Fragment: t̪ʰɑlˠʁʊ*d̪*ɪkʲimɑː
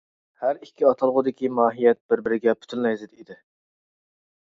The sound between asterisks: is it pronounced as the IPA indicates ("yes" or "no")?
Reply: yes